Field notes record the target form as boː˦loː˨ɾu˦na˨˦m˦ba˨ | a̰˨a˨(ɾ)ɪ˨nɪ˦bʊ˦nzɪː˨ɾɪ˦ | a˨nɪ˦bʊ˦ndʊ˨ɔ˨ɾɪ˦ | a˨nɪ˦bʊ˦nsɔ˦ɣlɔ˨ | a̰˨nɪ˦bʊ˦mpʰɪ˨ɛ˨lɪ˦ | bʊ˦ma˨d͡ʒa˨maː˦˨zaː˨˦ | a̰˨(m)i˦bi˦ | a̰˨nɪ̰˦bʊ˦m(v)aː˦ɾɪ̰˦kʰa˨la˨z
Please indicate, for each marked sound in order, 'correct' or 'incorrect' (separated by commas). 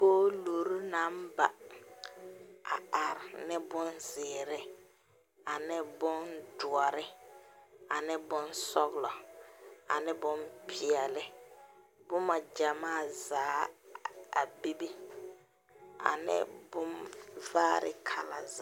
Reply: correct, incorrect, correct